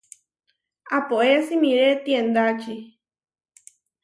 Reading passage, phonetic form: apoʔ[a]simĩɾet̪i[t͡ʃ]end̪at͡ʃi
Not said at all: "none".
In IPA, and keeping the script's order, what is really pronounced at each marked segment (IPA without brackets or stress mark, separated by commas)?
e, none